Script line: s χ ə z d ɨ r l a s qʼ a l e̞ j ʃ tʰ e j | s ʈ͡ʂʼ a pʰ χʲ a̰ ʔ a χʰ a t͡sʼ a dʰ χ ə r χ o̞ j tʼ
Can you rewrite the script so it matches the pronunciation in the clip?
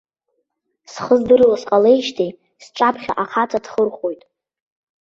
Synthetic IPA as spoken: s χ ə z d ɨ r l a s qʼ a l e̞ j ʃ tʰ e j | s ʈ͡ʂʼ a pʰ χʲ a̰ ʔ a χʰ a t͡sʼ a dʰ χ ə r χ o̞ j tʼ